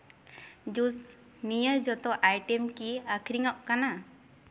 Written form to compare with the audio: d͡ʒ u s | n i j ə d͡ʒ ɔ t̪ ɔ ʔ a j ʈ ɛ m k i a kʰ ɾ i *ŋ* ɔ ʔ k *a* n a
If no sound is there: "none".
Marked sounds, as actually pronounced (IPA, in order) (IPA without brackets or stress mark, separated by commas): ŋ, a